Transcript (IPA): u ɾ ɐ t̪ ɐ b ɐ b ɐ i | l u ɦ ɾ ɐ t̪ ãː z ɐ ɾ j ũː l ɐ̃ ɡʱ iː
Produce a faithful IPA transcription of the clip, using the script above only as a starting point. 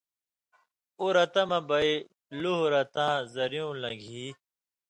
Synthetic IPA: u ɾ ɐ t̪ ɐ m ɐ b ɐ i | l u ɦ ɾ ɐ t̪ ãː z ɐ ɾ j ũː l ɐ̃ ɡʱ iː